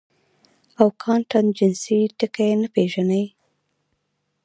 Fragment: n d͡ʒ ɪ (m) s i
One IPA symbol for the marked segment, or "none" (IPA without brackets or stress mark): n